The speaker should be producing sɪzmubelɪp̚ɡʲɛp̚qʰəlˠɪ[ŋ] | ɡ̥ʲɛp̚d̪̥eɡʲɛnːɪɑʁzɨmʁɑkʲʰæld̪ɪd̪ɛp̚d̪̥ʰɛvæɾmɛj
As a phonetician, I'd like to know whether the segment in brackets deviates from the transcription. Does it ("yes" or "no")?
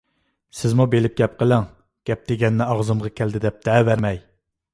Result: no